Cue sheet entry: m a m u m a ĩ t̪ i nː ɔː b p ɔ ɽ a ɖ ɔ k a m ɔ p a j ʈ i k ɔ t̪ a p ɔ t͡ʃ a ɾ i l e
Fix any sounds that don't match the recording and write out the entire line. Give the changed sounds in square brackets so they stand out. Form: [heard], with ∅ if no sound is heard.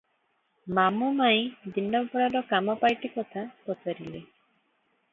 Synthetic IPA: m a m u m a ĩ [d̪] i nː [ɔ] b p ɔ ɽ a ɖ ɔ k a m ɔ p a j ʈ i k ɔ [t̪ʰ] a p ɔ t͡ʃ a ɾ i l e